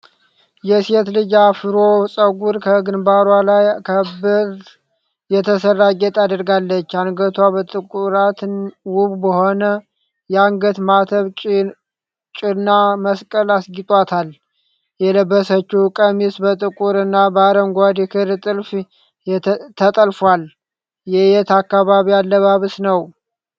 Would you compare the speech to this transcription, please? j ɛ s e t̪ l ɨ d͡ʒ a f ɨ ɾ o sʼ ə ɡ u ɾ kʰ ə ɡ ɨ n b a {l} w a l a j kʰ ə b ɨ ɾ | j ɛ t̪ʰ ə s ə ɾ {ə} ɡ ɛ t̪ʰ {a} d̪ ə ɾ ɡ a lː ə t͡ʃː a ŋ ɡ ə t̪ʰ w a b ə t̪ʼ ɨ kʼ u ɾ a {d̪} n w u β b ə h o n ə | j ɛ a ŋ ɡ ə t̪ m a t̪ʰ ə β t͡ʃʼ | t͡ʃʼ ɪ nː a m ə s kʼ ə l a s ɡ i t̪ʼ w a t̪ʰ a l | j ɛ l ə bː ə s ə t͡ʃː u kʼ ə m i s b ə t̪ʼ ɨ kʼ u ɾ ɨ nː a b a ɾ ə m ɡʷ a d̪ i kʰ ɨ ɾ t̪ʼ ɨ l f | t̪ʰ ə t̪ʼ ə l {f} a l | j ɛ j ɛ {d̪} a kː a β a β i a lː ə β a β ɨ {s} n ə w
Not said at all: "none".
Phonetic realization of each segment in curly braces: ɾ, a, a, t̪, f, t̪, s

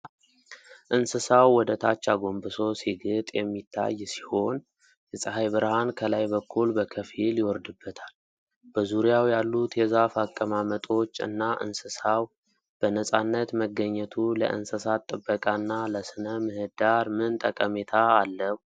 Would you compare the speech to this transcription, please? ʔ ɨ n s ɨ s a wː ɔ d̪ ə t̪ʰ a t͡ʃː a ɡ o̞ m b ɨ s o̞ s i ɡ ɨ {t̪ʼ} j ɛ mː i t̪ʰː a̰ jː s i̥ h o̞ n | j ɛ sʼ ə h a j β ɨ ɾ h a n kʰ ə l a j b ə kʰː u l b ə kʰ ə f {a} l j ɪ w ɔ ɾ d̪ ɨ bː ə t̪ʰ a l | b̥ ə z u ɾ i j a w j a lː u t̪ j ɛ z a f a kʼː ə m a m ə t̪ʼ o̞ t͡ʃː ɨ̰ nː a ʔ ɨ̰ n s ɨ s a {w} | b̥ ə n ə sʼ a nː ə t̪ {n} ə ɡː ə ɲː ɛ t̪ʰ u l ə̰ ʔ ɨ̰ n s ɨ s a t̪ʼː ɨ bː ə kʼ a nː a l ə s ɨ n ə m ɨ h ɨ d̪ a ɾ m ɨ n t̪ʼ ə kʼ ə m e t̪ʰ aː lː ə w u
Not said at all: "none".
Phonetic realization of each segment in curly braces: t̪ʼ, i, w, m

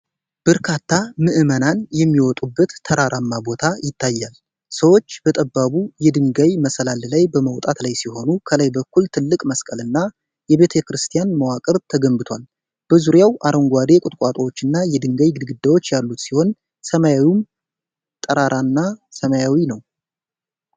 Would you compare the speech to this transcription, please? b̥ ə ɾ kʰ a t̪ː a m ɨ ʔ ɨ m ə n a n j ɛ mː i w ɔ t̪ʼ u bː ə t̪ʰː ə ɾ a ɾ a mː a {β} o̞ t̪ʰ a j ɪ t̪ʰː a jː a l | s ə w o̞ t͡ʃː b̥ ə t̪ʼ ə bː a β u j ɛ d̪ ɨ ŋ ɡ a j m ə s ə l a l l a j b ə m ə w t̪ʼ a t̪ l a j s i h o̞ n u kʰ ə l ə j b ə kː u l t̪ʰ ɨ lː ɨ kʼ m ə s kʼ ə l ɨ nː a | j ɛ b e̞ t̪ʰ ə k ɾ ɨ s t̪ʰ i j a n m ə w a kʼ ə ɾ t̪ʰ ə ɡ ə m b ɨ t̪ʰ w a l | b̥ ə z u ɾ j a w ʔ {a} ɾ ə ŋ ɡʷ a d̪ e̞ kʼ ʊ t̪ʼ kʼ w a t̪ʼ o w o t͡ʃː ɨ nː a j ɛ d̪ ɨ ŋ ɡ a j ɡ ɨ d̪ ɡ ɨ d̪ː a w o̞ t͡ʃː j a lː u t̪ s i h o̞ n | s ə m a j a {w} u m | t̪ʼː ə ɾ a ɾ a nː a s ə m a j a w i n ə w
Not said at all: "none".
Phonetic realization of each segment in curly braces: b, a, w

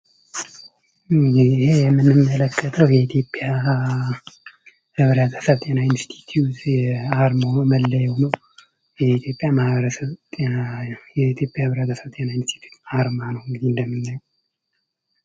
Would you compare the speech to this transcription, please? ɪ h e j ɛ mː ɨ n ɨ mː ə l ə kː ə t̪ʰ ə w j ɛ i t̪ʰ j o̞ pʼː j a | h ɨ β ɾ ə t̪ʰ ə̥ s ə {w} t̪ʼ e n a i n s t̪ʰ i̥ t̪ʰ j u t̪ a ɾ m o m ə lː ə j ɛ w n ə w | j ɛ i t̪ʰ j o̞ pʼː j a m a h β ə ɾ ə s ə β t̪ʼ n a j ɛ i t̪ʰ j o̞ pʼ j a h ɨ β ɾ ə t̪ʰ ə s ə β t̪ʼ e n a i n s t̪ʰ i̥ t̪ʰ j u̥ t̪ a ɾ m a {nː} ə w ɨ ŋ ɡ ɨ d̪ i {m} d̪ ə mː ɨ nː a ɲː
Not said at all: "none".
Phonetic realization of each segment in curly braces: β, n, n

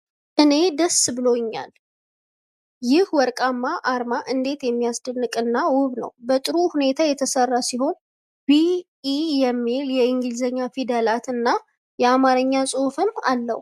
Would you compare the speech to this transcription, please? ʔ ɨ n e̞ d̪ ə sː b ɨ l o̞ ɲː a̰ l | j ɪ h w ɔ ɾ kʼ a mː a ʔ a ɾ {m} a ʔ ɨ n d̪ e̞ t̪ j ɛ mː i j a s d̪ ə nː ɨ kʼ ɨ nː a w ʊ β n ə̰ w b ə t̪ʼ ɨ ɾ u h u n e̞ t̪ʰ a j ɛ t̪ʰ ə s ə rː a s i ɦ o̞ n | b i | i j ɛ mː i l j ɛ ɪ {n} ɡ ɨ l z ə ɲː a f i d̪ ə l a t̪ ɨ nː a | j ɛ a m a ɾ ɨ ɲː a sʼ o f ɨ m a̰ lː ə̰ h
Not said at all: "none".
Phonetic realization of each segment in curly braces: m, ŋ

